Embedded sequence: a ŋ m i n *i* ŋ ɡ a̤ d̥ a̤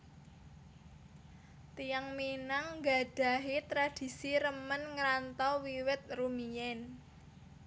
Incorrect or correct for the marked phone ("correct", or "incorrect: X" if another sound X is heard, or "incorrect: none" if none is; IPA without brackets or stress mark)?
incorrect: a